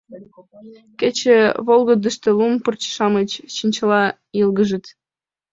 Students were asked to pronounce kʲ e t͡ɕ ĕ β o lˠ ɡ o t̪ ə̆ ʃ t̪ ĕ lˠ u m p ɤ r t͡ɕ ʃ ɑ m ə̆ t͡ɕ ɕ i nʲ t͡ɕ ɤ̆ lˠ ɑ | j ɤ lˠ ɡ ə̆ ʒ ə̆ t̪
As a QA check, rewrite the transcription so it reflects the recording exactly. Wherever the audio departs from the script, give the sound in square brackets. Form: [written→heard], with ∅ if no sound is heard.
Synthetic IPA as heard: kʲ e t͡ɕ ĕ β o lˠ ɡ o [t̪→d̪] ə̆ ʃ t̪ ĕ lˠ u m p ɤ r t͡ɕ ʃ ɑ m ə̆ t͡ɕ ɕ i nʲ t͡ɕ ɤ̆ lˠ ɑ | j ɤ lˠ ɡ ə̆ ʒ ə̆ t̪